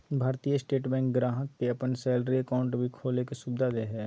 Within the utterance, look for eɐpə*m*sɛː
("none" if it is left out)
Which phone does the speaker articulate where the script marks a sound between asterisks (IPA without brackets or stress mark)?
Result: n